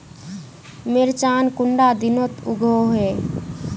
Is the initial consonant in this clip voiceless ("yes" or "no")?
no